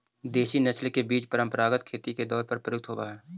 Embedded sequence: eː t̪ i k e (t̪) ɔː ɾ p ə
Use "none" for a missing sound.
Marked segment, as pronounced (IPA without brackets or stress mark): d̪